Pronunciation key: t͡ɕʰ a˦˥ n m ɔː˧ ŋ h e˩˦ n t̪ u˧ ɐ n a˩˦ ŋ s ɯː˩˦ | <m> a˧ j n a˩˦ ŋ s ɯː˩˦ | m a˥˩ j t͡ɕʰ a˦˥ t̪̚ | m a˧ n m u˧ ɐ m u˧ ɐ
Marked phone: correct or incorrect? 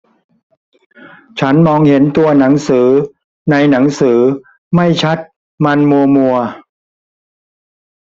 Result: incorrect: n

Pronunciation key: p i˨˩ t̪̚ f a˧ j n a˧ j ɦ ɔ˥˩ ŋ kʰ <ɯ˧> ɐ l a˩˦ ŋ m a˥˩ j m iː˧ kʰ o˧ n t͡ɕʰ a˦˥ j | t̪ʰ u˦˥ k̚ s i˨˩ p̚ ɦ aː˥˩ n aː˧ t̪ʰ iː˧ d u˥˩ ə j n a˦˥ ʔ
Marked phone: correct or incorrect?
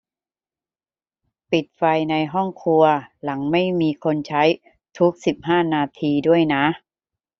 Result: incorrect: u˧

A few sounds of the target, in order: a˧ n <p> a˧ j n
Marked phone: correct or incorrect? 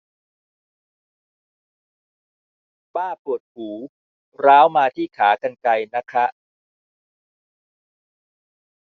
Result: incorrect: k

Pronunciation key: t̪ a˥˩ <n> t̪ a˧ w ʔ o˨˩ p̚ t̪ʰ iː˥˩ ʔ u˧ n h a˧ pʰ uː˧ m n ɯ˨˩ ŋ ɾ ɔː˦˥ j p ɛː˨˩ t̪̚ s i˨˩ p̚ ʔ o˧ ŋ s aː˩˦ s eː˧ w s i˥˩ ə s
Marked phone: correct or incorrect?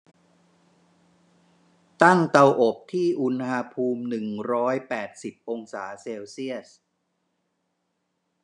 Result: incorrect: ŋ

